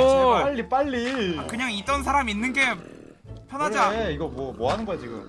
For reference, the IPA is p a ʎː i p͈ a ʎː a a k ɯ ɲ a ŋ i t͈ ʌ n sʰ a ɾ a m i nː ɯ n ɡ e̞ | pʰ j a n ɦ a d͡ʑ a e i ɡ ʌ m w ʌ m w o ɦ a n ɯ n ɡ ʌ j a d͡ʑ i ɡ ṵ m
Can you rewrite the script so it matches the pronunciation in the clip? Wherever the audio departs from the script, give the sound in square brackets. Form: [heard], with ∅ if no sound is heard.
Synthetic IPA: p a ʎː i p͈ a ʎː [i] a k ɯ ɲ a ŋ i t͈ ʌ n sʰ a ɾ a m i nː ɯ n ɡ e̞ | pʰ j [ʌ] n ɦ a d͡ʑ a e i ɡ ʌ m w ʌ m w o ɦ a n ɯ n ɡ ʌ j a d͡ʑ i ɡ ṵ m